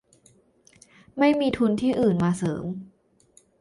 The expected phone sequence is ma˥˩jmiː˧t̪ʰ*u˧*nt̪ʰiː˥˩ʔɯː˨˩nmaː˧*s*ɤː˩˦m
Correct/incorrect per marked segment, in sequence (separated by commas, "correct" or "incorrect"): correct, correct